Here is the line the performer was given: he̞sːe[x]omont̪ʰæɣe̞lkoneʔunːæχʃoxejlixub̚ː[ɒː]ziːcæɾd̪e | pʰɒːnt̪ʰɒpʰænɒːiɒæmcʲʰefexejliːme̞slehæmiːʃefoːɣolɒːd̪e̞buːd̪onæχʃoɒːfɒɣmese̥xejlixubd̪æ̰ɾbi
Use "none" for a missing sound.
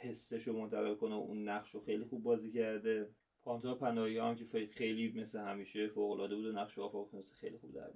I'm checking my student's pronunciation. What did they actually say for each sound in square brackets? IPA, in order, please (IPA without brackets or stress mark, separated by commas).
ʃ, ɒː